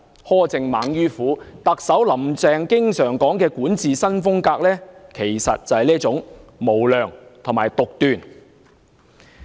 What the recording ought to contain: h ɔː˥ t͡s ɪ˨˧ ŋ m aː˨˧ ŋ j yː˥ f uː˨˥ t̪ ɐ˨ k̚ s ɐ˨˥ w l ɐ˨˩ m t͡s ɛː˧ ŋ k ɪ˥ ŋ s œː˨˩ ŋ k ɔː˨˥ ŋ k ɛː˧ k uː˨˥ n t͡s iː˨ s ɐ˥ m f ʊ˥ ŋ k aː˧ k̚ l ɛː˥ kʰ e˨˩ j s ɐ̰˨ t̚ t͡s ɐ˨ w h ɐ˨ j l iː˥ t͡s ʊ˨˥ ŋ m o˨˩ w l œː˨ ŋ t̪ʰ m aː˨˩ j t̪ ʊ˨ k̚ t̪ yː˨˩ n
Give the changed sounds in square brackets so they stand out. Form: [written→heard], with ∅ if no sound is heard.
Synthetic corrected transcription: h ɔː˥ t͡s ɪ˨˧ ŋ m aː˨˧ ŋ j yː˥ f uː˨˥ t̪ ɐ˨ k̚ s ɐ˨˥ w l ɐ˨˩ m t͡s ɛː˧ ŋ k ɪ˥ ŋ s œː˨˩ ŋ k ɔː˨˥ ŋ k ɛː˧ k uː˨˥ n t͡s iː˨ s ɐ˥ [m→n] f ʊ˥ ŋ k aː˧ k̚ l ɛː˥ kʰ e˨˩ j s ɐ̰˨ t̚ t͡s ɐ˨ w h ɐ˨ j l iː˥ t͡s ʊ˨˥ ŋ m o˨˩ w l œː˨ ŋ t̪ʰ m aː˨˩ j t̪ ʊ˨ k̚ t̪ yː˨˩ n

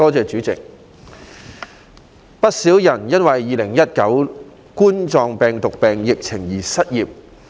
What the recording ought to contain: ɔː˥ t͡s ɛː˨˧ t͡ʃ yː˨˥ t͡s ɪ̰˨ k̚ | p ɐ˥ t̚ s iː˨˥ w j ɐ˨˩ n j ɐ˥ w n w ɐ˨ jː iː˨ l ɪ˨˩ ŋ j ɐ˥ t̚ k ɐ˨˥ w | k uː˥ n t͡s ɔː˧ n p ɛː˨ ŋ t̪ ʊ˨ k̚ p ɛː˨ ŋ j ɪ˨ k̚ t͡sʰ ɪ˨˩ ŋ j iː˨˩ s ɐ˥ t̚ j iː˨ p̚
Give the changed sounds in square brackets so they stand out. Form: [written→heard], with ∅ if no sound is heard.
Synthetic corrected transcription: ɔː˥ t͡s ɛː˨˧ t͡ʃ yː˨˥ t͡s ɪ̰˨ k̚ | p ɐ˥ t̚ s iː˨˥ w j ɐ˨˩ n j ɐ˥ [w→∅] n w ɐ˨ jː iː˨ l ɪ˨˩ ŋ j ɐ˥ t̚ k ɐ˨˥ w | k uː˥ n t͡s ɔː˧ [n→ŋ] p ɛː˨ ŋ t̪ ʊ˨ k̚ p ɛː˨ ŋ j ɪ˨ k̚ t͡sʰ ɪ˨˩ ŋ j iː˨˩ s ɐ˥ t̚ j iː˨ p̚

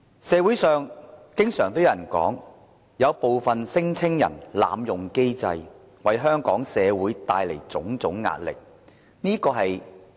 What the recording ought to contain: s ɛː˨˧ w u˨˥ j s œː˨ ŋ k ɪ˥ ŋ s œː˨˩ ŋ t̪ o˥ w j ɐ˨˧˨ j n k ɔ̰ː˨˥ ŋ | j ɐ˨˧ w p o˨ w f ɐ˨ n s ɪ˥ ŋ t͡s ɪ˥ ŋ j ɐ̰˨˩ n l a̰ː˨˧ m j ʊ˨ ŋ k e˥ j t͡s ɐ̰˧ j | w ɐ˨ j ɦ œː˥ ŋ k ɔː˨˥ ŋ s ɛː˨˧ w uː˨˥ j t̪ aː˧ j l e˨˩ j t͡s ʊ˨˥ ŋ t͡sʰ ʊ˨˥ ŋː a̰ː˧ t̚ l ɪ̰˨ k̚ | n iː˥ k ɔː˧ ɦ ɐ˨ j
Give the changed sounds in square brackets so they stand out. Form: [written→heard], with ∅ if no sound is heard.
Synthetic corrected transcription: s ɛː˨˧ w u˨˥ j s œː˨ ŋ k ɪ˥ ŋ s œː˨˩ ŋ t̪ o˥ w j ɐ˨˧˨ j n k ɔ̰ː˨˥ ŋ | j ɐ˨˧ w p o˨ w f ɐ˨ n s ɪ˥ ŋ [t͡s→t͡sʰ] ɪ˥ ŋ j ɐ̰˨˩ n l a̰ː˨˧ m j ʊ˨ ŋ k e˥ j t͡s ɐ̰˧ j | w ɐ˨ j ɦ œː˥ ŋ k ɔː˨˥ ŋ s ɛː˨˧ w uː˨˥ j t̪ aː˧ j l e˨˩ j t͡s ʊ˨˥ ŋ [t͡sʰ→t͡s] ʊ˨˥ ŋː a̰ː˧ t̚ l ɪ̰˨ k̚ | n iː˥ k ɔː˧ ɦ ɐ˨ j

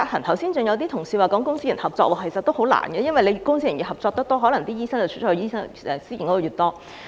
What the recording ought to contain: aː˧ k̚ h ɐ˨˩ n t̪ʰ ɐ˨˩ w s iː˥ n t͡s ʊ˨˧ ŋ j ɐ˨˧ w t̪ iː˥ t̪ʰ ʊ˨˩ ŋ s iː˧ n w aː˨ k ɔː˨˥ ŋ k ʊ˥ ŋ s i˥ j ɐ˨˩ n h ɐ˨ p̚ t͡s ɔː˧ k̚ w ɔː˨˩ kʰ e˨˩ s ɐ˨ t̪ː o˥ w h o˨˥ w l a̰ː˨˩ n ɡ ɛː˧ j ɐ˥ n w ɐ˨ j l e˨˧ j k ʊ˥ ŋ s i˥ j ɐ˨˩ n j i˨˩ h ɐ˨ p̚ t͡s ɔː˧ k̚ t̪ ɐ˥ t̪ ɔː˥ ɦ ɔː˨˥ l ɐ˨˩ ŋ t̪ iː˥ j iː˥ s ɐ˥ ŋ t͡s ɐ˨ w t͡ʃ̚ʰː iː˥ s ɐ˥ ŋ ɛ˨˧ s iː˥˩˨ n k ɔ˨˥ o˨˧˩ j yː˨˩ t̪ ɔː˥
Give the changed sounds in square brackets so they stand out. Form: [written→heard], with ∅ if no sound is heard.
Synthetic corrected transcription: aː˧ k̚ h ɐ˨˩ n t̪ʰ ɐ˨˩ w s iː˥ n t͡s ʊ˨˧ ŋ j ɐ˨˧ w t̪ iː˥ t̪ʰ ʊ˨˩ ŋ s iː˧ [n→∅] w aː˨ k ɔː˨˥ ŋ k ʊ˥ ŋ s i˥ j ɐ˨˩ n h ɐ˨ p̚ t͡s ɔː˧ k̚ w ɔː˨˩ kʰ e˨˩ s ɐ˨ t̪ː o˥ w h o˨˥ w l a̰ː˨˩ n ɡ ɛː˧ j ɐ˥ n w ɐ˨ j l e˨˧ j k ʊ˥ ŋ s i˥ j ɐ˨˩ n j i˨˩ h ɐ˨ p̚ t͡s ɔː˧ k̚ t̪ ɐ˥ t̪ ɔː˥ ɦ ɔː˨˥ l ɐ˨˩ ŋ t̪ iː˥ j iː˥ s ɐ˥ ŋ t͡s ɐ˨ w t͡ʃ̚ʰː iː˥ s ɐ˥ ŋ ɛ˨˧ s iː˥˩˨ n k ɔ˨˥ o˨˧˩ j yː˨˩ t̪ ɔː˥

